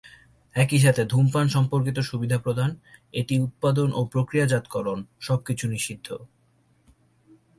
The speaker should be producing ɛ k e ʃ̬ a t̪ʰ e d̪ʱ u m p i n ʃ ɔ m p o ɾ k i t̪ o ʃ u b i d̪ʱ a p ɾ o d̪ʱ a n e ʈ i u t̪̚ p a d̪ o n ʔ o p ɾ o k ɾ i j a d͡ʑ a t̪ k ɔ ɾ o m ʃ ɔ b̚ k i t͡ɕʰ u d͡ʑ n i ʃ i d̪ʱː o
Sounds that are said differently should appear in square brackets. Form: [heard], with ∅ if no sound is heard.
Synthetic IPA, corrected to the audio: ɛ k [i] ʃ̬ a t̪ʰ e d̪ʱ u m p [a] n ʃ ɔ m p o ɾ k i t̪ o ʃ u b i d̪ʱ a p ɾ o d̪ʱ a n e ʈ i u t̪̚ p a d̪ o n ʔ o p ɾ o k ɾ i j a d͡ʑ a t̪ k ɔ ɾ o [n] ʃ ɔ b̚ k i t͡ɕʰ u [∅] n i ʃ i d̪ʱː o